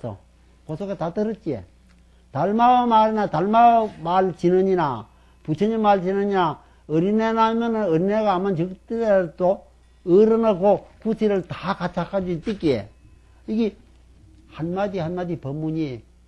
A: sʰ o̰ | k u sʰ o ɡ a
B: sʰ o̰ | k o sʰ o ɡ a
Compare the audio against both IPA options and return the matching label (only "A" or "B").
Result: B